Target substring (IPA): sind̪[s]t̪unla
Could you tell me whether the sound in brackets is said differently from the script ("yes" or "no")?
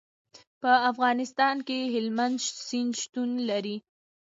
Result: yes